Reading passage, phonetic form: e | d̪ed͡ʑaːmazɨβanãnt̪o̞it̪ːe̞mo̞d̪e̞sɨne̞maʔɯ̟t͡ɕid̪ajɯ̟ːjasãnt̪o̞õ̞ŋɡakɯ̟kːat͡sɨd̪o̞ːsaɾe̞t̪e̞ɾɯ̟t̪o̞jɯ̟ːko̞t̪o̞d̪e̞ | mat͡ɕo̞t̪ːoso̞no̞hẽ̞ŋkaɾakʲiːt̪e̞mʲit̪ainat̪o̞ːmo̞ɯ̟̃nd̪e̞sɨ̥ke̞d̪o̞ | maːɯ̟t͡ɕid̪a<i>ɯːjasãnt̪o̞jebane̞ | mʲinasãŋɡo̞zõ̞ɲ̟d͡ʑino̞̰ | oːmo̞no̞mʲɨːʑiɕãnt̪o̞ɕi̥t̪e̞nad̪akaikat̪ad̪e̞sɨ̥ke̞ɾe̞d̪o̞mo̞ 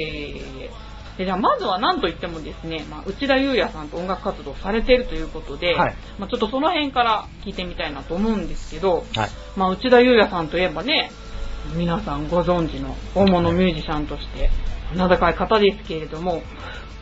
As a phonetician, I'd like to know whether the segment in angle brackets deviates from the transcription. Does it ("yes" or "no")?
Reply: yes